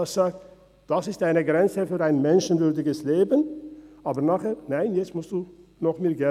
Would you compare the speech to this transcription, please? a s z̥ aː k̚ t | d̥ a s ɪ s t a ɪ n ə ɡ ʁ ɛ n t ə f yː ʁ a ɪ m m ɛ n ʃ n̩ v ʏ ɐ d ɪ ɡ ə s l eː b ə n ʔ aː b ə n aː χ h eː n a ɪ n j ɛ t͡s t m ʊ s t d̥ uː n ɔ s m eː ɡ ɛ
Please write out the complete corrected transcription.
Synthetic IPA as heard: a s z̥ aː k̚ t | d̥ a s ɪ s t a ɪ n ə ɡ ʁ ɛ n t͡s ə f yː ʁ a ɪ n m ɛ n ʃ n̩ v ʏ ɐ d ɪ ɡ ə s l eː b ə n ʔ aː b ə n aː χ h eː n a ɪ n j ɛ t͡s t m ʊ s t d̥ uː n ɔ χ m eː ɡ ɛ